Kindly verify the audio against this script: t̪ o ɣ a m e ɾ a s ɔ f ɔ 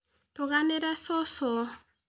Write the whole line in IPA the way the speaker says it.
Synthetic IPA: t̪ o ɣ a n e ɾ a s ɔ s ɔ